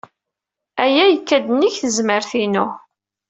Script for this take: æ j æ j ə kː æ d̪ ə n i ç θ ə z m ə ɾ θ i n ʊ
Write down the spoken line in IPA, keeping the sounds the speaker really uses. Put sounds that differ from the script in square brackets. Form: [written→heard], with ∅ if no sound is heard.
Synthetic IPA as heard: æ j æ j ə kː æ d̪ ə n i ç θ ə z m ə ɾ θ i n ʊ